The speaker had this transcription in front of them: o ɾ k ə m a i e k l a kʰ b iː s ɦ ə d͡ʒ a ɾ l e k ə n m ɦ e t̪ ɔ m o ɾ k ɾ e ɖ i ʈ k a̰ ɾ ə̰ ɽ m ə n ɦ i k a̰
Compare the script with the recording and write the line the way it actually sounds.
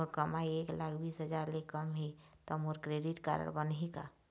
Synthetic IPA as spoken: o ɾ k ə m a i e k l a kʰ b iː s ɦ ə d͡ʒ a ɾ l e k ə m ɦ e t̪ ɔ m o ɾ k ɾ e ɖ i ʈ k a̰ ɾ ə̰ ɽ b ə n ɦ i k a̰